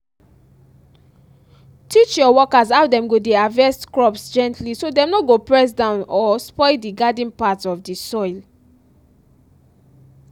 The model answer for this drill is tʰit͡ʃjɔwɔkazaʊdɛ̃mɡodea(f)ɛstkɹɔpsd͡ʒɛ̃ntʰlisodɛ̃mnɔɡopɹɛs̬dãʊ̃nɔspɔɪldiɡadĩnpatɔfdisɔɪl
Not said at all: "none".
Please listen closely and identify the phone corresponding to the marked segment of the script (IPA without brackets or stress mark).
v